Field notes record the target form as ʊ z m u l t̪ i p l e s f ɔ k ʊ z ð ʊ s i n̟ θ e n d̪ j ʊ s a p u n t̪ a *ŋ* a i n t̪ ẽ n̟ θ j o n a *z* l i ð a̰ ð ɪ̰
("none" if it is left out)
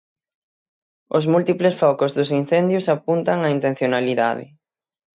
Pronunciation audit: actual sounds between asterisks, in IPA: ŋ, none

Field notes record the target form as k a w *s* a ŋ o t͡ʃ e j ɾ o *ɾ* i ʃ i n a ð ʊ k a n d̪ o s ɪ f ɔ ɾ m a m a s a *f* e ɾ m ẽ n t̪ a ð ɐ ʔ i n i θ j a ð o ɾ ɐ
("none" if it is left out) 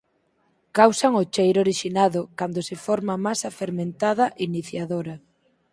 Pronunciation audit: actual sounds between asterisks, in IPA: s, ɾ, f

